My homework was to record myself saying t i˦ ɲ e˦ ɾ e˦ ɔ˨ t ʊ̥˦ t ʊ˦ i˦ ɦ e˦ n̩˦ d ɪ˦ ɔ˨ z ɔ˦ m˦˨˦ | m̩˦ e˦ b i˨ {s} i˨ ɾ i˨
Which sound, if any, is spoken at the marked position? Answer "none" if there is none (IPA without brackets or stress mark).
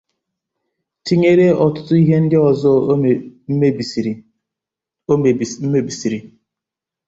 s